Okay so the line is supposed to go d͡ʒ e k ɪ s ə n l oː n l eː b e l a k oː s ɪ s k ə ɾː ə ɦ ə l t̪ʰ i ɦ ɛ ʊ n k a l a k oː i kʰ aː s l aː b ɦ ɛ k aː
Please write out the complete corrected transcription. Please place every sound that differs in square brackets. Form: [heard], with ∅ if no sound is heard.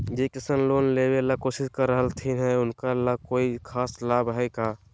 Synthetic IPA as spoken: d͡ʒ e k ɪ s ə n l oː n l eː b e l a k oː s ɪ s k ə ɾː ə ɦ ə l t̪ʰ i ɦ ɛ ʊ n k a l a k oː i kʰ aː s l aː b ɦ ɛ k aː